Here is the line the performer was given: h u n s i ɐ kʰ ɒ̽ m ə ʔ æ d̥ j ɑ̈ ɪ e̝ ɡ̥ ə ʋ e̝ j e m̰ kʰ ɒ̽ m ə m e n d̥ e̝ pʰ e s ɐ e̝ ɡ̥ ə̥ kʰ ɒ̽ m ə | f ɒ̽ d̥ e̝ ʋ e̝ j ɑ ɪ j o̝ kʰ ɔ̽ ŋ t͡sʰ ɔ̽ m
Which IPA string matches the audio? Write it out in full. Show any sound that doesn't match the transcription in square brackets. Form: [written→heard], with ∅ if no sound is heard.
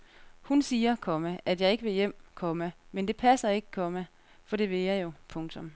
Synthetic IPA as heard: h u n s [i→iː] ɐ kʰ ɒ̽ m ə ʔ æ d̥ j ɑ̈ ɪ e̝ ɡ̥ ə ʋ e̝ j e m̰ kʰ ɒ̽ m ə m e n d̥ e̝ pʰ [e→æ] s ɐ e̝ ɡ̥ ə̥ kʰ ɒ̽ m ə | f ɒ̽ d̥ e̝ ʋ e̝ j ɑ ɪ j o̝ [kʰ→pʰ] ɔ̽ ŋ t͡sʰ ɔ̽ m